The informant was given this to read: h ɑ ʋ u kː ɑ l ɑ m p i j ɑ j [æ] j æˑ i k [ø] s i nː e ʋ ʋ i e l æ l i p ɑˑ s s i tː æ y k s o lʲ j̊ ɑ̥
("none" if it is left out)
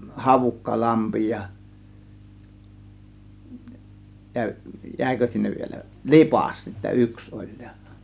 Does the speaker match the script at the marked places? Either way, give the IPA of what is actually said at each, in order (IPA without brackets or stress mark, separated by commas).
æ, ø